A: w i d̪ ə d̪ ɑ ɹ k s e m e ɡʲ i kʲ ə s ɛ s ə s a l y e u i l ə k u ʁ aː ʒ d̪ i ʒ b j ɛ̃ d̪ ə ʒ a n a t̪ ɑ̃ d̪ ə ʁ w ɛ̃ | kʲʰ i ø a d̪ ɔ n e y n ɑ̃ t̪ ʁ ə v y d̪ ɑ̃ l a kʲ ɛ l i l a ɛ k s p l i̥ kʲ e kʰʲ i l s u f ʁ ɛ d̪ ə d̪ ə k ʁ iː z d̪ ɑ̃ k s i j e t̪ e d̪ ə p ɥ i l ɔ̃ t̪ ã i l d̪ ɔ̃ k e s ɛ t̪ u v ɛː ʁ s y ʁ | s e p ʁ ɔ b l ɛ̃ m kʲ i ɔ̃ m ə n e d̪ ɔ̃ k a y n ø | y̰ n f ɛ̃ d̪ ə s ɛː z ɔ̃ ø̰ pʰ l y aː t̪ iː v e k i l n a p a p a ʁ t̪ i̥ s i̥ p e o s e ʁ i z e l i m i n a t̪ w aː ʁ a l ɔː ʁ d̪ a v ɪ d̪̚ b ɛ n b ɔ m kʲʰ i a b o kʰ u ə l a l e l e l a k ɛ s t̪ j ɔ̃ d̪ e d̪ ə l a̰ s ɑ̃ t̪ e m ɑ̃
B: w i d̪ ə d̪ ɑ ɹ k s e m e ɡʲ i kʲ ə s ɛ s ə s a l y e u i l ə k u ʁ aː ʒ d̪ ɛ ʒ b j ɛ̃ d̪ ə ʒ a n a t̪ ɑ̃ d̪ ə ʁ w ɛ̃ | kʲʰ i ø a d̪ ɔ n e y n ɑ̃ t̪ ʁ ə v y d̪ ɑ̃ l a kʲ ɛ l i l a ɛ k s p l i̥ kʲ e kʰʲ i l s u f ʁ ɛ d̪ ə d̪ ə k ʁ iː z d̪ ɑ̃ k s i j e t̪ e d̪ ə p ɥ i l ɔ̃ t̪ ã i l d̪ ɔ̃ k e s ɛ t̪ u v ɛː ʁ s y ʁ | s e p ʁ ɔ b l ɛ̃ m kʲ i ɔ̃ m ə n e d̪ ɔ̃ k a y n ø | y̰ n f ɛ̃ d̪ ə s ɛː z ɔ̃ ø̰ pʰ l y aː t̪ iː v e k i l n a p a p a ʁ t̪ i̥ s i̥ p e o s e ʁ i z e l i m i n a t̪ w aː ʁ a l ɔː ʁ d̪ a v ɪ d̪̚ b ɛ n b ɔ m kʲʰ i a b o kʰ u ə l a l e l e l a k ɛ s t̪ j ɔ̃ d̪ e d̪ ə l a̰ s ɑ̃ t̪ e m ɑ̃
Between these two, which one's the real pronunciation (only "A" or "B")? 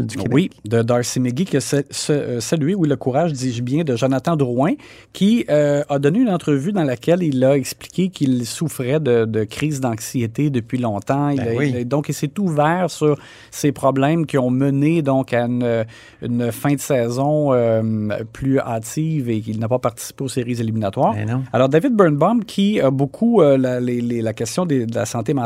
A